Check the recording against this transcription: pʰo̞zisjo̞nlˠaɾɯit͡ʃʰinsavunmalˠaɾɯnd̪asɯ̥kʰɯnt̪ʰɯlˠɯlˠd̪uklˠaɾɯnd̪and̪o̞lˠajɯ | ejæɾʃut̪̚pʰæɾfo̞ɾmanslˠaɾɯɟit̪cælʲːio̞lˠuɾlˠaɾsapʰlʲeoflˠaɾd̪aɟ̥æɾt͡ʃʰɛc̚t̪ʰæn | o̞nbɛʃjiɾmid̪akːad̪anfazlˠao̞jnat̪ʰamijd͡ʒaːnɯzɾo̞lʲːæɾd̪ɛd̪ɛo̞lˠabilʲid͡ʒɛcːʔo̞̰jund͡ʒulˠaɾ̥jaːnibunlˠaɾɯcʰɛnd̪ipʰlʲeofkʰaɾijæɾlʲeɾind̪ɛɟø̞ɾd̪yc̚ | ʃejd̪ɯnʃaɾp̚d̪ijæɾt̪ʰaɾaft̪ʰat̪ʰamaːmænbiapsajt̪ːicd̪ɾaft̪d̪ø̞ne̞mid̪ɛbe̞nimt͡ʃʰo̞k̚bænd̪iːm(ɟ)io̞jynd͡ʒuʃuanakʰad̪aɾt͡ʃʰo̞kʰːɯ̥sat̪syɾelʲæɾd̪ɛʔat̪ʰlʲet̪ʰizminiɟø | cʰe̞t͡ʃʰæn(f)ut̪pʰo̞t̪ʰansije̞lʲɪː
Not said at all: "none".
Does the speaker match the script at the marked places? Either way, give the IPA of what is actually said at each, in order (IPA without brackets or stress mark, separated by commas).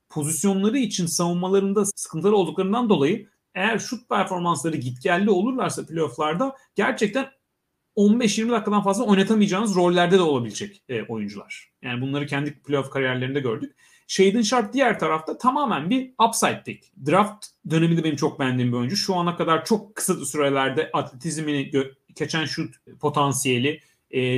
b, ʃ